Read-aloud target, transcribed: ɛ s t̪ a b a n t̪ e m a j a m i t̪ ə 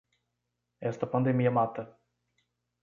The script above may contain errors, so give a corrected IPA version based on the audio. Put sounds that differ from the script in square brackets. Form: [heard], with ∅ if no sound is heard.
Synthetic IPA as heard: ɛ s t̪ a [p] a n [d̪] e m [i] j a m [a] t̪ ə